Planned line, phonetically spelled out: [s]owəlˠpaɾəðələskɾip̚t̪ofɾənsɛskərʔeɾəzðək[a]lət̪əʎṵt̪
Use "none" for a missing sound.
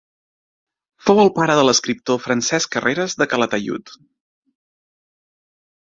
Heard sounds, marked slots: f, ə

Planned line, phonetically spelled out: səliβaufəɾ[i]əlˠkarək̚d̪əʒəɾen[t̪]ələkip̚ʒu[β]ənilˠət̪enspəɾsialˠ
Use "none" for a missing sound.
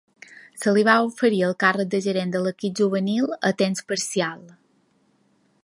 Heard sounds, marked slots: i, d̪, β

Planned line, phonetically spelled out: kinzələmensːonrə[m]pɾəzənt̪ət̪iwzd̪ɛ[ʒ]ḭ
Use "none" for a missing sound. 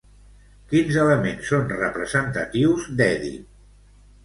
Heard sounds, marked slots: none, ð

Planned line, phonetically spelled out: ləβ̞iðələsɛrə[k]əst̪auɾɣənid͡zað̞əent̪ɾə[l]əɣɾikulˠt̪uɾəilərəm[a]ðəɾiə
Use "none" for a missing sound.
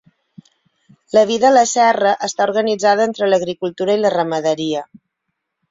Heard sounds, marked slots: ʔ, l, ə

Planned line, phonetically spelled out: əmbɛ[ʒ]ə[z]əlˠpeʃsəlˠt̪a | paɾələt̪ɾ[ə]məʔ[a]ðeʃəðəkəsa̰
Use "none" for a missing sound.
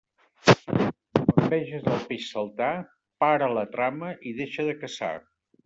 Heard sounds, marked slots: ʒ, z, a, i

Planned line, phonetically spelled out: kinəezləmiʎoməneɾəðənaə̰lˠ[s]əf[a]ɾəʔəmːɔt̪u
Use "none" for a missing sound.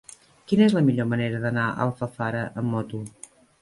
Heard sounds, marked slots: f, a

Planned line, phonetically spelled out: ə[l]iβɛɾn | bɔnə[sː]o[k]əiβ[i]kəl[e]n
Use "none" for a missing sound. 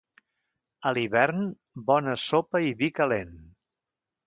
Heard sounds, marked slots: l, s, p, i, e

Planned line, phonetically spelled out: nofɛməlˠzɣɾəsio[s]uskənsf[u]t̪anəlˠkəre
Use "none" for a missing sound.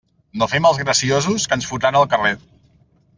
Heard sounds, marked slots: z, u

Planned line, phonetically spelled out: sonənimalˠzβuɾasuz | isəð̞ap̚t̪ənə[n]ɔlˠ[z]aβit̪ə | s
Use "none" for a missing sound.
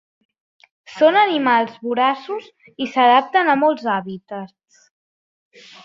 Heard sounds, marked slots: m, z

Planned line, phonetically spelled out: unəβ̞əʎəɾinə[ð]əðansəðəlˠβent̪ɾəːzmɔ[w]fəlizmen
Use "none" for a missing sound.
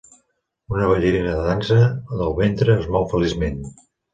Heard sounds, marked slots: ð, w

